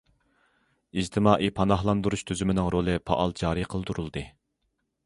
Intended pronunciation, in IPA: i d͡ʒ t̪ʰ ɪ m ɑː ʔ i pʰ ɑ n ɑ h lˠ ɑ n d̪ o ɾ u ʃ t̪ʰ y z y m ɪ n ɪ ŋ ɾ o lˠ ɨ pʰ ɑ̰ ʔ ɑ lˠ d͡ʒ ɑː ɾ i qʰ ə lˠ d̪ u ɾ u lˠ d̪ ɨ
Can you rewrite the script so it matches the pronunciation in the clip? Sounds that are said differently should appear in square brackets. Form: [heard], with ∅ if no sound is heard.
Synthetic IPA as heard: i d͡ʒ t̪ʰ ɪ m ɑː ʔ i pʰ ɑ n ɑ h lˠ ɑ n d̪ [u] ɾ u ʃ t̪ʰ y z y m ɪ n ɪ ŋ ɾ o lˠ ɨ pʰ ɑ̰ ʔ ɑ lˠ d͡ʒ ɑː ɾ i qʰ ə lˠ d̪ u ɾ u lˠ d̪ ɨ